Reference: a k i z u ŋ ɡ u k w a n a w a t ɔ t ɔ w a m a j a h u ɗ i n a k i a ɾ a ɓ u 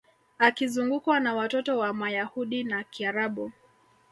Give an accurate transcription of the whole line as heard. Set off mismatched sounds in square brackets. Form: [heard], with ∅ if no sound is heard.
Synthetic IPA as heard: a k i z u ŋ ɡ u k w a n a w a t ɔ t ɔ w a m a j a h u ɗ i n a k i a ɾ a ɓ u